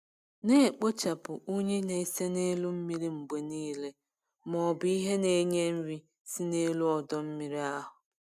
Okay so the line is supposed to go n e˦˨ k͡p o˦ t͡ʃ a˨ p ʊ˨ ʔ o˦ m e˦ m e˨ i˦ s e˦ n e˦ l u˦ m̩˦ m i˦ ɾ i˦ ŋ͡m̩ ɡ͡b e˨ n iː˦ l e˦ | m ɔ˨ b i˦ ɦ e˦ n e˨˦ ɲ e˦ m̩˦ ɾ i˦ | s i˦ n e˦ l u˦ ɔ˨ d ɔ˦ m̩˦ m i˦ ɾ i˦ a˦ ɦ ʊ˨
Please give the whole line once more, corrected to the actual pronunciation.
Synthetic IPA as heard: n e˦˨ k͡p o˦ t͡ʃ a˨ p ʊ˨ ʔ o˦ ɲ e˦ n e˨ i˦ s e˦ n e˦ l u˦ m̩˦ m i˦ ɾ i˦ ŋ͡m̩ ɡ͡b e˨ n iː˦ l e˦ | m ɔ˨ b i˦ ɦ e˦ n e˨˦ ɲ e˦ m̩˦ ɾ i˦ | s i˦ n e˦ l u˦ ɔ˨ d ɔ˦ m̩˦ m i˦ ɾ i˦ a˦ ɦ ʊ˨